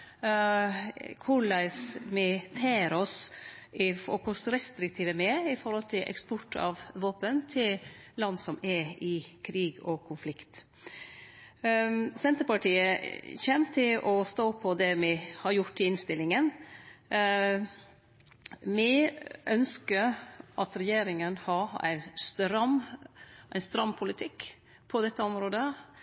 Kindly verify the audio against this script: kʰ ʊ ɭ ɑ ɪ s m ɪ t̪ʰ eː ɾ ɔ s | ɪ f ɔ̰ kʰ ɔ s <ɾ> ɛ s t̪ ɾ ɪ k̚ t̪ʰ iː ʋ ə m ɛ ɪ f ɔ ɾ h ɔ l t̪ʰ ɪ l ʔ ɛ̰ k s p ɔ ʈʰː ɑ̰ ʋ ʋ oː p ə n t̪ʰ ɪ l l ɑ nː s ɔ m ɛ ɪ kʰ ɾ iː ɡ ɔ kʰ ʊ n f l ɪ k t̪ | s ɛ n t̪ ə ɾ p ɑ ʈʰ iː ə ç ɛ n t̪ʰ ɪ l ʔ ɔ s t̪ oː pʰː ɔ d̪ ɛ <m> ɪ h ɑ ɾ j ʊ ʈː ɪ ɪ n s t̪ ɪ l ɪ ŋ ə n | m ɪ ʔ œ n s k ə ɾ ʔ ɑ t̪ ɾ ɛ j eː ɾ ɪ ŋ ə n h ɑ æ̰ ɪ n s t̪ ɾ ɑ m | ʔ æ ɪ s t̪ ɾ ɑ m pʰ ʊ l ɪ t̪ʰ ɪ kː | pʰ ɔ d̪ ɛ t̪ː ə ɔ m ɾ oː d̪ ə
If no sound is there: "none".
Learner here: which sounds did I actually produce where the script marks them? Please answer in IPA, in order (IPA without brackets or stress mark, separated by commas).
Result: ɾ, m